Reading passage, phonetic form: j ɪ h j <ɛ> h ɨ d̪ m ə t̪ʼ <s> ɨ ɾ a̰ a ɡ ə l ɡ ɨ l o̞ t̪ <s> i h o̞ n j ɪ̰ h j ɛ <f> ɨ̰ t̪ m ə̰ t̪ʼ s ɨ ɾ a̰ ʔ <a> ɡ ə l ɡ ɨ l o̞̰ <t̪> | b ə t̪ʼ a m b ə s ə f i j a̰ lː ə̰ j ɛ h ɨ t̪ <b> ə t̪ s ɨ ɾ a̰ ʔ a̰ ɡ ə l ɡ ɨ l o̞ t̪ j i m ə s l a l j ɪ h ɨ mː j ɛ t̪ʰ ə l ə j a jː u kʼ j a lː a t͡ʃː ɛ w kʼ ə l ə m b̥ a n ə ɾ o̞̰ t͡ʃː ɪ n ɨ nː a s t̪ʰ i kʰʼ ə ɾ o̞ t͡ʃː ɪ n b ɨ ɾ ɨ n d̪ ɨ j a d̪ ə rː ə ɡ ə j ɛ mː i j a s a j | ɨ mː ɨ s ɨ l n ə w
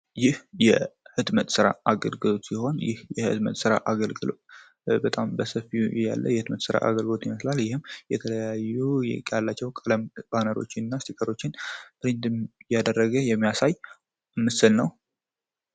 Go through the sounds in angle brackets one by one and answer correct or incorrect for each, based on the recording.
correct, correct, correct, incorrect, correct, correct, incorrect

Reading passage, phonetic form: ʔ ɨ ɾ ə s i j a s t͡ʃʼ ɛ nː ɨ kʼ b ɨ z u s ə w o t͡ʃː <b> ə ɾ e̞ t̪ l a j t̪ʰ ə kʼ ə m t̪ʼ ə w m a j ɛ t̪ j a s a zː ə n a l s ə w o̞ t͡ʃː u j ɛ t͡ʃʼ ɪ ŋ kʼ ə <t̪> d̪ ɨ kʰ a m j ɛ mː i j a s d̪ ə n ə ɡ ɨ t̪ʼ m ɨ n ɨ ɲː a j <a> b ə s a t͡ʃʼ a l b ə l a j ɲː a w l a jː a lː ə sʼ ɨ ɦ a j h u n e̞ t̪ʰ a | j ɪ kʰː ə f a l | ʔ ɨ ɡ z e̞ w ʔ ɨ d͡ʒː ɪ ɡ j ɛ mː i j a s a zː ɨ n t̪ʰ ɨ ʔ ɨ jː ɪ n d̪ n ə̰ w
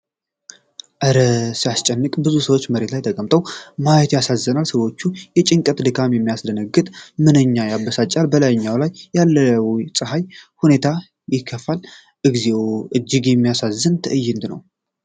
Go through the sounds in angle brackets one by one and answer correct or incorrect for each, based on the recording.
incorrect, correct, correct

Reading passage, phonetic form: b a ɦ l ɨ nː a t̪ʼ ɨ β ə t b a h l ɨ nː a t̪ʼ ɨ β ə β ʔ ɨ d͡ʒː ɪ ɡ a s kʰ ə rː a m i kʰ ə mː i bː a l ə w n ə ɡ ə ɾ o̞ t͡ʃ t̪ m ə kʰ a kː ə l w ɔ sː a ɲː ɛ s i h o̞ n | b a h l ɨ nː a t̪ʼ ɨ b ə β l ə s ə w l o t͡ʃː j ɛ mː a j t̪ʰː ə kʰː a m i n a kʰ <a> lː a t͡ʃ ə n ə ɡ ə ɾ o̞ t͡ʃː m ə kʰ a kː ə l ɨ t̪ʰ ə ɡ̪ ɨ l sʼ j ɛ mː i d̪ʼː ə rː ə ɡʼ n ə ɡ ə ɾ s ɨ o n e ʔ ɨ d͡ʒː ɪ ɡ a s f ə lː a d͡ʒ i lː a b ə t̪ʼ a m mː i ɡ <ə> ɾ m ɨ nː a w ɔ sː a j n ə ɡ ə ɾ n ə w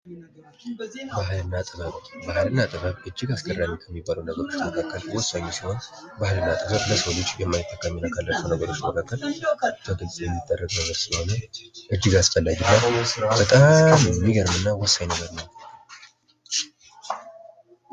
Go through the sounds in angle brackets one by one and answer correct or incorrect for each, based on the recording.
correct, correct

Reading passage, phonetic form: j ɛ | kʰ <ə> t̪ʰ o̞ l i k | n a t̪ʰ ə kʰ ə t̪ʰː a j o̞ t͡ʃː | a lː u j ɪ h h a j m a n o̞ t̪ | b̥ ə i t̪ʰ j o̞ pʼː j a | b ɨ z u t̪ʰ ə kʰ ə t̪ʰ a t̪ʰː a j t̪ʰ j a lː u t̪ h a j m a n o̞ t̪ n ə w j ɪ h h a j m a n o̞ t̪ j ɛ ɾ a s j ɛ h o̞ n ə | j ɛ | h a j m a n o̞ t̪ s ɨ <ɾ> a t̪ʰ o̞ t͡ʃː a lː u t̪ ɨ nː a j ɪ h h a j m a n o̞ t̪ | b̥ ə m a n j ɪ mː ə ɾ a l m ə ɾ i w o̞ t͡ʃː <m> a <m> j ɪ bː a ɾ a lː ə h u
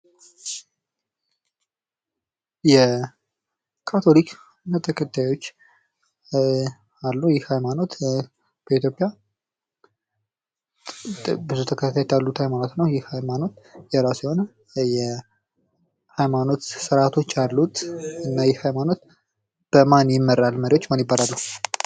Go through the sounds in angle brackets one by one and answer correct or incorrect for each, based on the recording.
incorrect, correct, correct, incorrect

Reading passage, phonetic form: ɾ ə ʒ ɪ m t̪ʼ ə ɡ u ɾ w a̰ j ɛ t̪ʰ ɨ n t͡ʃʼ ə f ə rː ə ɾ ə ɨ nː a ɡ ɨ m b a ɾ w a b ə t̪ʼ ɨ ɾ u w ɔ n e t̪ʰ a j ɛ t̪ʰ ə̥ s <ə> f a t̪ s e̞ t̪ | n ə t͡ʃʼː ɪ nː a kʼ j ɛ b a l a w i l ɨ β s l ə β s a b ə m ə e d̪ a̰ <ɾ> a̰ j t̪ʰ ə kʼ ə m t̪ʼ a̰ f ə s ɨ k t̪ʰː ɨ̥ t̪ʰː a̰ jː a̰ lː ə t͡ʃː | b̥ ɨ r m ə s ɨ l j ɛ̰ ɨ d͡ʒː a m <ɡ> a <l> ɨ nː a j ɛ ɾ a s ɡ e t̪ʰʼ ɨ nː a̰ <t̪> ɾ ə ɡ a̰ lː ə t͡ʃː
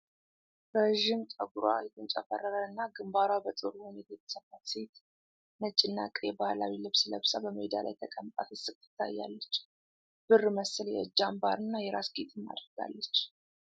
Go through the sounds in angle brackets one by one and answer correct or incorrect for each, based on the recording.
correct, incorrect, incorrect, incorrect, incorrect

